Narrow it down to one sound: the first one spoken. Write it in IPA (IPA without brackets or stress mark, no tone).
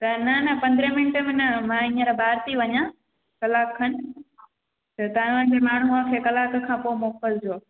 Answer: t̪